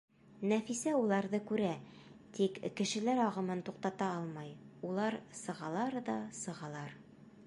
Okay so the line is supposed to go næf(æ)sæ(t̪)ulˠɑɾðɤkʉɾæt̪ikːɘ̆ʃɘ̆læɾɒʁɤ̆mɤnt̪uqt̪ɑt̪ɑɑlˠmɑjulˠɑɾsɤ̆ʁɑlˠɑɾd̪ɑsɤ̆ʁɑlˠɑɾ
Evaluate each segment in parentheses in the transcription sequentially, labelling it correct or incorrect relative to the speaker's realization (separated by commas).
incorrect, incorrect